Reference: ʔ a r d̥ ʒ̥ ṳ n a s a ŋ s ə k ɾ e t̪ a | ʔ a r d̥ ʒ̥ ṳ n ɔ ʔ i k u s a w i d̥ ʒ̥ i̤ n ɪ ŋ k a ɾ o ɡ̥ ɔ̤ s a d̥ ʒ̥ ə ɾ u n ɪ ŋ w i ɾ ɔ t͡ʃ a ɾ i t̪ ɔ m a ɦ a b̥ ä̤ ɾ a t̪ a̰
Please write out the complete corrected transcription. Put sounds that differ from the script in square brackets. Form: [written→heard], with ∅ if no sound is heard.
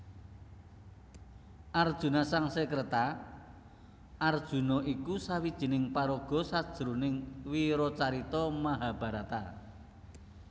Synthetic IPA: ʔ a r d̥ ʒ̥ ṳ n a s a ŋ s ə k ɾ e t̪ a | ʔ a r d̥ ʒ̥ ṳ n ɔ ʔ i k u s a w i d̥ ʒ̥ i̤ n ɪ ŋ [k→p] a ɾ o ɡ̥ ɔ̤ s a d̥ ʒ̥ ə ɾ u n ɪ ŋ w i ɾ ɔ t͡ʃ a ɾ i t̪ ɔ m a ɦ a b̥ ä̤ ɾ a t̪ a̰